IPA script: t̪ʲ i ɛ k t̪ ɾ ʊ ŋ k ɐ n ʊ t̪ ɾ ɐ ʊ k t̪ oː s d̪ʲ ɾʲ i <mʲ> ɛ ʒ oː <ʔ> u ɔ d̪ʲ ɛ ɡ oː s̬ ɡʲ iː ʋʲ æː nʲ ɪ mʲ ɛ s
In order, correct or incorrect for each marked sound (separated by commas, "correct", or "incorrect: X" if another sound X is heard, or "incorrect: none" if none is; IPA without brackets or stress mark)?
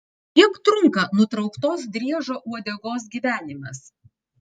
incorrect: none, correct